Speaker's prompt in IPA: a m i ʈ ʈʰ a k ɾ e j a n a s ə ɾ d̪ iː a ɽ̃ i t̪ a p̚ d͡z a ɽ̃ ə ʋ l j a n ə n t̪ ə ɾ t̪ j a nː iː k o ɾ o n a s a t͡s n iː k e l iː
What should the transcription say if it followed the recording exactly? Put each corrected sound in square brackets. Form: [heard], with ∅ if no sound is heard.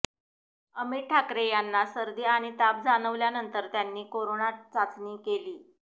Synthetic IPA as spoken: [ə] m i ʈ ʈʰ a k ɾ e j a [nː] a s ə ɾ d̪ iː a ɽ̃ i t̪ a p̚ d͡z a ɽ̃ ə ʋ l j a n ə n t̪ ə ɾ t̪ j a nː iː k o ɾ o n a [t͡s] a t͡s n iː k e l iː